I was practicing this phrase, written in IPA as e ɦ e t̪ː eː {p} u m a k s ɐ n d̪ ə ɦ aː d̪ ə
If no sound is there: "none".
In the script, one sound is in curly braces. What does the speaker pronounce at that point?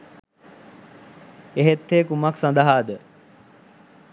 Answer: k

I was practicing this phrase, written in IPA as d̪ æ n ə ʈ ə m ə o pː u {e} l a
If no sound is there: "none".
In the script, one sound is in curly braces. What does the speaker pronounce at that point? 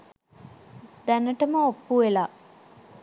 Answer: e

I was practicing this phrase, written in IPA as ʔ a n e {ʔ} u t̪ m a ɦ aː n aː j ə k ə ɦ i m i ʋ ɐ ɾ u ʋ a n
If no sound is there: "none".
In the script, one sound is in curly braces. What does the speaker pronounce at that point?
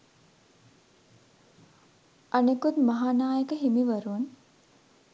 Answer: k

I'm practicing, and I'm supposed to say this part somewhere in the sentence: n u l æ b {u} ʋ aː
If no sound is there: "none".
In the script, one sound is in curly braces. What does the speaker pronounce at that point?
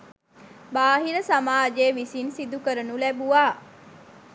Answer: u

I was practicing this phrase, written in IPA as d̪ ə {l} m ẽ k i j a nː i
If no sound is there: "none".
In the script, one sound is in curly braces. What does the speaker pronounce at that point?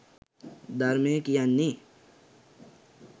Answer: ɾ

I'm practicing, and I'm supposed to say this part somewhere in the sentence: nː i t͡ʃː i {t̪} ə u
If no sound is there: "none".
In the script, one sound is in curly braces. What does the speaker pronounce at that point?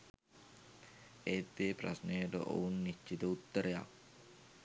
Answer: t̪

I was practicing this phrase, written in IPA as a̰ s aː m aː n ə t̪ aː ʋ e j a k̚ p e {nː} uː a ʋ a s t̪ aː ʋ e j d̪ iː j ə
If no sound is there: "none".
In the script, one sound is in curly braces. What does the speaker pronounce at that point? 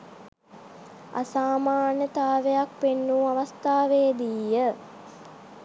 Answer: nː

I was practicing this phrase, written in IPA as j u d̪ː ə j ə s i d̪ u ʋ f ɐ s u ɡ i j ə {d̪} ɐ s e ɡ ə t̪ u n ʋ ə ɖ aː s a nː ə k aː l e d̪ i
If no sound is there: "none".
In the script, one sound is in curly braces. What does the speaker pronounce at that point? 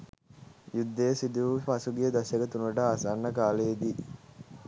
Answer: d̪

